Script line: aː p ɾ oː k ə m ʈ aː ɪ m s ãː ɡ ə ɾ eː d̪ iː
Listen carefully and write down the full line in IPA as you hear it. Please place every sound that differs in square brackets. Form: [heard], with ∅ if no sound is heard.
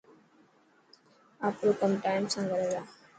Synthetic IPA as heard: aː p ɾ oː k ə m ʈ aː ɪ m s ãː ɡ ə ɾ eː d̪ [aː]